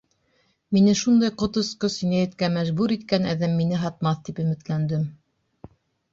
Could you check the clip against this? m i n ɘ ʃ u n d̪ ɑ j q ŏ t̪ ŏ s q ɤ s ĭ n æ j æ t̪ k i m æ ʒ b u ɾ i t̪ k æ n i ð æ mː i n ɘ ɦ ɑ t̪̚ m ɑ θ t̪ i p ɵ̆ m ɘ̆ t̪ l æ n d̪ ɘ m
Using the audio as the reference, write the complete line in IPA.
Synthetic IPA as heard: m i n ɘ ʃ u n d̪ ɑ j q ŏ t̪ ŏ s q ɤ s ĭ n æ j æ t̪ k æ m æ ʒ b u ɾ i t̪ k æ n æ ð æ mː i n ɘ ɦ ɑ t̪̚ m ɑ θ t̪ i p ɵ̆ m ɘ̆ t̪ l æ n d̪ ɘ m